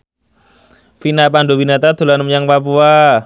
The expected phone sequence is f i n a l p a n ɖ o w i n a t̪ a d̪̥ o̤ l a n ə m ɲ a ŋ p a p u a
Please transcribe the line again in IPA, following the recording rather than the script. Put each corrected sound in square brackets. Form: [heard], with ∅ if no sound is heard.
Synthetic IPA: f i n a [∅] p a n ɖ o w i n a t̪ a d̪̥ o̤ l a n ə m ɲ a ŋ p a p u a